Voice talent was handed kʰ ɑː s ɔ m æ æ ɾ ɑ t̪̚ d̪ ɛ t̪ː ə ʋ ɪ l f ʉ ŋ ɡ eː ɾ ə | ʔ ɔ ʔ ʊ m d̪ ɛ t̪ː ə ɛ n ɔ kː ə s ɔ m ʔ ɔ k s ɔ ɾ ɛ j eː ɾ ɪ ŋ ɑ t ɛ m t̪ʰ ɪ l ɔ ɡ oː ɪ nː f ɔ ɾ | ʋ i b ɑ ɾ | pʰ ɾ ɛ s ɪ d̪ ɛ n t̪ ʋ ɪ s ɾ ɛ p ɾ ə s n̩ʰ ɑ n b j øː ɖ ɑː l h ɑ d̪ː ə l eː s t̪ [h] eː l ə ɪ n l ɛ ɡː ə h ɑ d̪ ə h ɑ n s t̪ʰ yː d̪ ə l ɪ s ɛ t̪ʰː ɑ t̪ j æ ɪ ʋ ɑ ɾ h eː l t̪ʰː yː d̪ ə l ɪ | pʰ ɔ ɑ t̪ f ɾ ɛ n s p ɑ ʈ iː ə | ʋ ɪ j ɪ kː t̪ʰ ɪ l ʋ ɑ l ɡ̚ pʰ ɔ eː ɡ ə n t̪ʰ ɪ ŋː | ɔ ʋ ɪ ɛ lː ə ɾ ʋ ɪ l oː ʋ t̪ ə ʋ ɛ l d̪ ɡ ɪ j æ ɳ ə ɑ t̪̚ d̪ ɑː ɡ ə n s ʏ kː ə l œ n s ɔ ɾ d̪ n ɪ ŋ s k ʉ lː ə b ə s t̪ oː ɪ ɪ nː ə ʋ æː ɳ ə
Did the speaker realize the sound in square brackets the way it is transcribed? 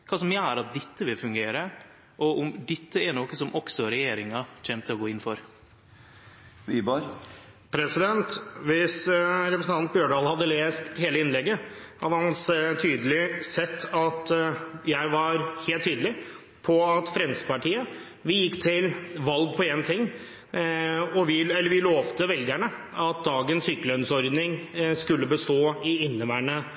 yes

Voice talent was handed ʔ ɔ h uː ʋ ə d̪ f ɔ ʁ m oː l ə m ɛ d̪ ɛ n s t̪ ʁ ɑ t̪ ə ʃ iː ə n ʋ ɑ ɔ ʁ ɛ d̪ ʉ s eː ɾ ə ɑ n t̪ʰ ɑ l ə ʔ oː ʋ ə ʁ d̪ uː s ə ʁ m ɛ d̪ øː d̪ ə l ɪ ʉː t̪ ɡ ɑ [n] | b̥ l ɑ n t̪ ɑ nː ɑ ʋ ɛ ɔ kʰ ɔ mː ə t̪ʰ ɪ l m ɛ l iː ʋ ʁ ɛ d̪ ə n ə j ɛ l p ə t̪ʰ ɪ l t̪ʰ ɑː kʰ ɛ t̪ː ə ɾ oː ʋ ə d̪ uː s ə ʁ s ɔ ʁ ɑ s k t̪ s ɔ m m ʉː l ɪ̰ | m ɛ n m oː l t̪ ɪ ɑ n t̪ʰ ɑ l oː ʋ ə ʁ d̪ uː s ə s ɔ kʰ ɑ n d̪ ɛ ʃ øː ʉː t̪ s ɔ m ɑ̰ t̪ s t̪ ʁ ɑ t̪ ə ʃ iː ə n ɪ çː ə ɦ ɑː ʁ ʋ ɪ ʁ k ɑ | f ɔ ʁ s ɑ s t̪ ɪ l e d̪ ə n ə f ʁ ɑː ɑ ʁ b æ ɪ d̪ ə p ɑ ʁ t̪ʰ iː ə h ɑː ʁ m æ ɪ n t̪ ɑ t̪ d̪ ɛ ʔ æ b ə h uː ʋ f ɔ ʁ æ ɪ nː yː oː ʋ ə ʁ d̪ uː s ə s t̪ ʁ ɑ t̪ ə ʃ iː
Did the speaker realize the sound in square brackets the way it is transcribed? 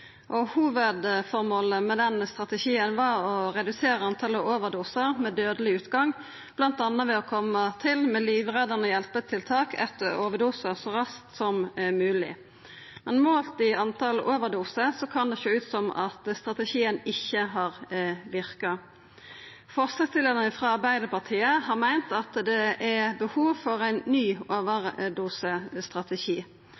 no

